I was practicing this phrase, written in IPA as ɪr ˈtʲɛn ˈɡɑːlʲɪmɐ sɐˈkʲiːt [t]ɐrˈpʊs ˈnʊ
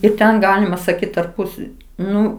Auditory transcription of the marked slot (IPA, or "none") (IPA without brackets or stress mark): t